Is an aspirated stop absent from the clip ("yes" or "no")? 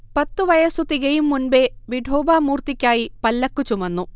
yes